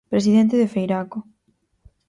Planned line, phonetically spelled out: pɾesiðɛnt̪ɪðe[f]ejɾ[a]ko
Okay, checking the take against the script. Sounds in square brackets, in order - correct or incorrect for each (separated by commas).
correct, correct